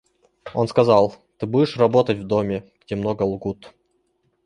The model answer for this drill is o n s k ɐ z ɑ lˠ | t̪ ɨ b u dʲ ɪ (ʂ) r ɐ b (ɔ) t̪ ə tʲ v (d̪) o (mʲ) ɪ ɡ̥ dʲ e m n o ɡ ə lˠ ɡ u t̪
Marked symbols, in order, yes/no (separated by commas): yes, no, yes, yes